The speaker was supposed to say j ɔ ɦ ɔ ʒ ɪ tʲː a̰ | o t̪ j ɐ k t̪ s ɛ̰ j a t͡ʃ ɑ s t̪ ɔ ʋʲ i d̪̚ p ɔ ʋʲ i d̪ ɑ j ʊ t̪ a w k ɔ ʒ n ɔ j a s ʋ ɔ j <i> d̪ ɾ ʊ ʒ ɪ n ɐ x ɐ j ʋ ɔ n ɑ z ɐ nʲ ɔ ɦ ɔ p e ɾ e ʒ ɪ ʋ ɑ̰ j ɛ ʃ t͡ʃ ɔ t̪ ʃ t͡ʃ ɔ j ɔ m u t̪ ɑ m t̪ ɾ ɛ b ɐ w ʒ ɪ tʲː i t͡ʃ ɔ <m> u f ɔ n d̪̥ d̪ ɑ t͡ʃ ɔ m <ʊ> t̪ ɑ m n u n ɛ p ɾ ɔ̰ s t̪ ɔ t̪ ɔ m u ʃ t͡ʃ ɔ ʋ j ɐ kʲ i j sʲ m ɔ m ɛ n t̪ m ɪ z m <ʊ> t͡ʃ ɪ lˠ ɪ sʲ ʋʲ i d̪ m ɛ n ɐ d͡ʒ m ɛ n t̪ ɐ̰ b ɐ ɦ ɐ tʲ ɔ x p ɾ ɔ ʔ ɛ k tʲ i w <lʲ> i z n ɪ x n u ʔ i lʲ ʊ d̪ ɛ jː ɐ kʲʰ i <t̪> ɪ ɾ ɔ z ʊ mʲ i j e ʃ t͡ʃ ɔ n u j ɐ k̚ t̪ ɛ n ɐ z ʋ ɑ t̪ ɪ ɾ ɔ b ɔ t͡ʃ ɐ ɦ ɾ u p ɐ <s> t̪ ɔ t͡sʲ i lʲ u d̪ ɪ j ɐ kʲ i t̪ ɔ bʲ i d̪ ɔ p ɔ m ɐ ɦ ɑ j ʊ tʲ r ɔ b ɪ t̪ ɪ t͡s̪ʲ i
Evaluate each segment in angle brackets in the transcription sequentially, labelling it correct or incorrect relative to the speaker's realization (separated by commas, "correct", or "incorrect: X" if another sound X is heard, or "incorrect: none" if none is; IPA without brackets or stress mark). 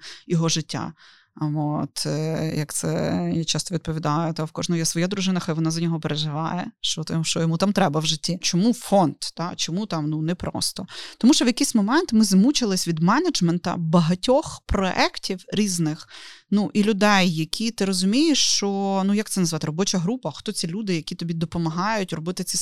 incorrect: a, correct, incorrect: u, incorrect: u, incorrect: ɾʲ, correct, incorrect: x